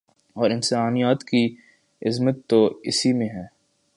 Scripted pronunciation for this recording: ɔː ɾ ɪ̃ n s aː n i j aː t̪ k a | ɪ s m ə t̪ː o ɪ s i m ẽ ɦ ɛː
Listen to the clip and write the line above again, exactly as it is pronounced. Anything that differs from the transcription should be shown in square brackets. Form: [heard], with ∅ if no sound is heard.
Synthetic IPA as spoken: ɔː ɾ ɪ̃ n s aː n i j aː t̪ k [i] | ɪ [z] m ə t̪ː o ɪ s i m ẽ ɦ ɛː